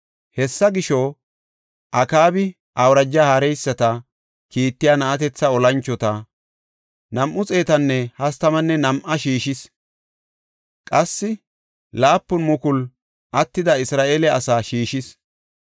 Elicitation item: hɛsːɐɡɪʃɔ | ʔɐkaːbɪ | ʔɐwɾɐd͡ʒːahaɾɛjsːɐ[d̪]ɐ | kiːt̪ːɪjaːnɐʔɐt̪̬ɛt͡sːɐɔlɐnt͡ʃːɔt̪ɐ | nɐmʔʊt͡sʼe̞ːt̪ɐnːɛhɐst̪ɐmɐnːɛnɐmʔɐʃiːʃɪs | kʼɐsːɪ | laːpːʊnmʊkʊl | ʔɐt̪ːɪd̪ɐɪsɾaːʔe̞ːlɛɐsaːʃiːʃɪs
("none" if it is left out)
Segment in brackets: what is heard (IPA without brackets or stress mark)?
t̪